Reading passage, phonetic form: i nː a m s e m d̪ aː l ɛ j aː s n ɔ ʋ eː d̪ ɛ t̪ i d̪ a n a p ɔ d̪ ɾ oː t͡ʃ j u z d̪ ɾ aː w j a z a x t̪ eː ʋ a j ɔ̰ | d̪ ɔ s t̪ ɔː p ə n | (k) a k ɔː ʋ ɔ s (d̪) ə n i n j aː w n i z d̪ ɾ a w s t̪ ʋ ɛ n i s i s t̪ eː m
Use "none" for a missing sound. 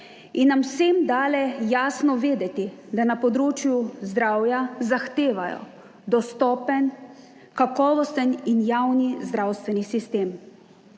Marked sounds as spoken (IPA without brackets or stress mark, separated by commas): k, t̪